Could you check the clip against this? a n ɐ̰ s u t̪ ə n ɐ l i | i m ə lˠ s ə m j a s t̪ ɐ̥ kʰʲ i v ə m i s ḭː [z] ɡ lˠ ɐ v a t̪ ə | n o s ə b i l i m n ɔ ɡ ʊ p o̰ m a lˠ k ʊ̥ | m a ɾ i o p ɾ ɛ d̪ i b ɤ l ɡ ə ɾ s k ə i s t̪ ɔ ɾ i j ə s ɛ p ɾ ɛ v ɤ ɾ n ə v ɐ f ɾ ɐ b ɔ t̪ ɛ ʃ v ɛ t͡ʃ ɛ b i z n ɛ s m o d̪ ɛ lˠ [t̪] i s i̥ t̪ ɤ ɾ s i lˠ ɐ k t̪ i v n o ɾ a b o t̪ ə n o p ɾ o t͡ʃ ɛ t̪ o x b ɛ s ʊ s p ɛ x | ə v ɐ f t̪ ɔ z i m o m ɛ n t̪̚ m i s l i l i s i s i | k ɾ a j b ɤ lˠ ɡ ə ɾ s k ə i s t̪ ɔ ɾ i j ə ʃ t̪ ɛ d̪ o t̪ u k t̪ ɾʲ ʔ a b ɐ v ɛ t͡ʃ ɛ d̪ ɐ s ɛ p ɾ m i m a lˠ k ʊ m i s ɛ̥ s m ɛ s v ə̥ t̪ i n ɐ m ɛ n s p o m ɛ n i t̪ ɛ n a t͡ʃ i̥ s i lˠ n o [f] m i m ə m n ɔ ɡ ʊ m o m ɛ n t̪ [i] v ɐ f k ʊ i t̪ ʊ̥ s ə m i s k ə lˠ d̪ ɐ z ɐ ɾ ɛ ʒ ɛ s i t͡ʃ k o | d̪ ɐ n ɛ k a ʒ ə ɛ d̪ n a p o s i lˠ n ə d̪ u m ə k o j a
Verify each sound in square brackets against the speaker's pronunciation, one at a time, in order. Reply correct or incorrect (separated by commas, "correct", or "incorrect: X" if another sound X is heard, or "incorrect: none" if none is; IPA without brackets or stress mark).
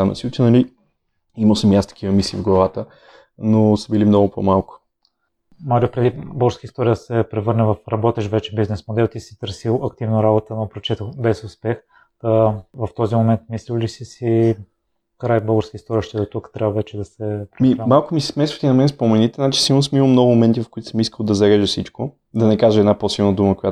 incorrect: v, correct, incorrect: s, correct